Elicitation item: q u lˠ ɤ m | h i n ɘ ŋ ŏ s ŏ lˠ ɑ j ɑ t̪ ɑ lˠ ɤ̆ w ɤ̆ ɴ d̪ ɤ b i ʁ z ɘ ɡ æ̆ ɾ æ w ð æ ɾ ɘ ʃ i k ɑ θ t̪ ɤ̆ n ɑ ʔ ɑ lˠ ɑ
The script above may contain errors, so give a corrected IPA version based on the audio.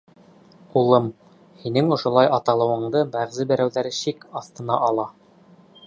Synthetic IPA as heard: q u lˠ ɤ m | h i n ɘ ŋ ŏ ʃ ŏ lˠ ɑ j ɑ t̪ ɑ lˠ ɤ̆ w ɤ̆ ɴ d̪ ɤ b æ ʁ z ɘ b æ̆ ɾ æ w ð æ ɾ ɘ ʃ i k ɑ θ t̪ ɤ̆ n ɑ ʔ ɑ lˠ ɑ